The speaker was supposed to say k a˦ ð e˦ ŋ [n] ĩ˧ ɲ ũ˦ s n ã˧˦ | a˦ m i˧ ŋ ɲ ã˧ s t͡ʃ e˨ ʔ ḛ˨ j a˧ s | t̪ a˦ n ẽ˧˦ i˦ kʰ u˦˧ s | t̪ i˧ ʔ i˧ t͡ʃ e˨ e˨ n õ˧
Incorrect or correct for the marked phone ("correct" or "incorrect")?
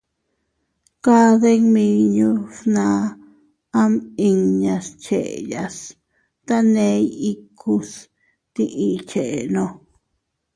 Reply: incorrect